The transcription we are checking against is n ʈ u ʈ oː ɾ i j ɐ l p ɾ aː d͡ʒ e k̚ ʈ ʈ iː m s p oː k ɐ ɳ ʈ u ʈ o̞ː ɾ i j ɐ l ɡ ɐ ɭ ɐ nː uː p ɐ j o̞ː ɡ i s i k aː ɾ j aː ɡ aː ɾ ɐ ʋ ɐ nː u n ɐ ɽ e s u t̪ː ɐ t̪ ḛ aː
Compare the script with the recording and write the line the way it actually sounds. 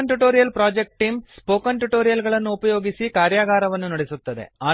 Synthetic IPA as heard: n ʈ u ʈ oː ɾ i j ɐ l p ɾ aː d͡ʒ e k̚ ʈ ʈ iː m s p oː k ɐ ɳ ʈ u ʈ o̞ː ɾ i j ɐ l ɡ ɐ ɭ ɐ nː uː p ɐ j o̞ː ɡ i s i k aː ɾ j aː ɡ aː ɾ ɐ ʋ ɐ nː u n ɐ ɽ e s u t̪ː ɐ d̪ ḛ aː